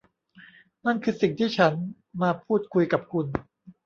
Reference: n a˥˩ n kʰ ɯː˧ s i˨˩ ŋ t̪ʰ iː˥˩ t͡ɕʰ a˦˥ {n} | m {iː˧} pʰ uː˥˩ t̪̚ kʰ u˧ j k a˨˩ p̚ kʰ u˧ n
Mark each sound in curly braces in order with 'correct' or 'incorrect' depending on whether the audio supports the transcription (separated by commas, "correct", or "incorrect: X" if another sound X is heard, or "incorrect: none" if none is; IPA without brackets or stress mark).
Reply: correct, incorrect: aː˧